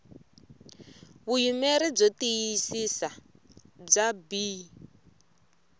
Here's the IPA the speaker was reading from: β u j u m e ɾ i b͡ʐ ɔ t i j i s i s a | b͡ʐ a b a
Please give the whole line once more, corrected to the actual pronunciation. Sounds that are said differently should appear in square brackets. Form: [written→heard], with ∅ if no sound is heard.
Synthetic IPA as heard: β u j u m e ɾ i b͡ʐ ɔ t i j i s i s a | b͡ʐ a b [a→i]